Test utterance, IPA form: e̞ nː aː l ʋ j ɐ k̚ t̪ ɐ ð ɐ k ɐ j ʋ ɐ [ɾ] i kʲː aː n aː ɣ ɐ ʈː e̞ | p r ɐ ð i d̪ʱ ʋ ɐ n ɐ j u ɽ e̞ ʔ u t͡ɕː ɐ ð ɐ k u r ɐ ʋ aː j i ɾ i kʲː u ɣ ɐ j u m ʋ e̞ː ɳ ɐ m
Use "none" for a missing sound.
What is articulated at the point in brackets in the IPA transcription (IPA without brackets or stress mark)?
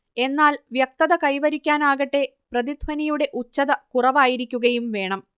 ɾ